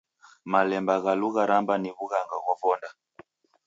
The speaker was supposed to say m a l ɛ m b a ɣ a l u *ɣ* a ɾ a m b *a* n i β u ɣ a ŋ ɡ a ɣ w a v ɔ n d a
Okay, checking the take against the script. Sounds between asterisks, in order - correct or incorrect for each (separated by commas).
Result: correct, correct